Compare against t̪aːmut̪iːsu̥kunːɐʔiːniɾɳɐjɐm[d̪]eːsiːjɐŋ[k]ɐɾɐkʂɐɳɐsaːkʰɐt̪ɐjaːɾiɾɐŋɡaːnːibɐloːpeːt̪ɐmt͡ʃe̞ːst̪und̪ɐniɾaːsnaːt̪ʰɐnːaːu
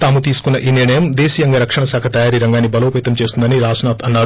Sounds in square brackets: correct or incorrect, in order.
correct, incorrect

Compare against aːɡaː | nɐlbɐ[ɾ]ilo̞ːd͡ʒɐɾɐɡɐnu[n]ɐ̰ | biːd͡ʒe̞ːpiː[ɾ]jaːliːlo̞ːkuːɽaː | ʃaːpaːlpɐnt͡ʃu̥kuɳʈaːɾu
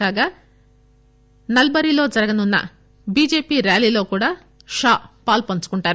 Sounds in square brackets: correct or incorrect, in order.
correct, incorrect, correct

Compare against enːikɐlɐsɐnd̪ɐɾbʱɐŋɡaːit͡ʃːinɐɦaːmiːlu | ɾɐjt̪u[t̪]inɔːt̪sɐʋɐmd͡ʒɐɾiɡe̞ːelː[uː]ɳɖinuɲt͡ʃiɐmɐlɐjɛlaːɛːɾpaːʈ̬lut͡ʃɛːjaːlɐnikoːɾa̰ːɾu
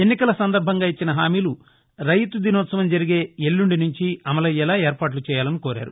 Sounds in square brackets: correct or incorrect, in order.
incorrect, incorrect

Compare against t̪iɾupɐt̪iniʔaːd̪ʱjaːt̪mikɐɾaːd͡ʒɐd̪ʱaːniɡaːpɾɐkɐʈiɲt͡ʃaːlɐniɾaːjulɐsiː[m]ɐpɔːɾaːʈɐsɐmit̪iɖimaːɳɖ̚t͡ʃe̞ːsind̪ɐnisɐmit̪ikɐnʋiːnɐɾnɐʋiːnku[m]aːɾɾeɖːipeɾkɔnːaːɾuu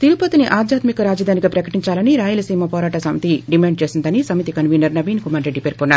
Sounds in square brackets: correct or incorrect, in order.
correct, correct

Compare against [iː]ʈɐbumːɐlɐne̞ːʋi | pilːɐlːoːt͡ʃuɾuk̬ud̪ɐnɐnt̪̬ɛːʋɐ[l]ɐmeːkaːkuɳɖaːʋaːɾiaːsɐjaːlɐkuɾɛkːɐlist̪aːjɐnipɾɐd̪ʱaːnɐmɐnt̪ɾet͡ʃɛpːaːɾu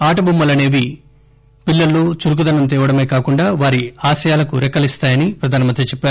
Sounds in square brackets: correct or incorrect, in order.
incorrect, incorrect

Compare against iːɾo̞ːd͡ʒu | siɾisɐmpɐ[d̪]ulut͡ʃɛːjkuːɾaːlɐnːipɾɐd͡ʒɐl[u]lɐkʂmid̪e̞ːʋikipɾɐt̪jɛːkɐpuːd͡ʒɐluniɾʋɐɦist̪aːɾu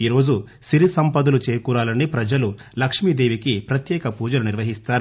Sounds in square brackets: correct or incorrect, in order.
correct, correct

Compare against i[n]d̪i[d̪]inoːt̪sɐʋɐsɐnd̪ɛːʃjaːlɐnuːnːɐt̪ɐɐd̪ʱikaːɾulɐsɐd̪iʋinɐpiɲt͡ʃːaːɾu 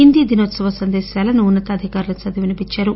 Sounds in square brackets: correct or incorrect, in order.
correct, correct

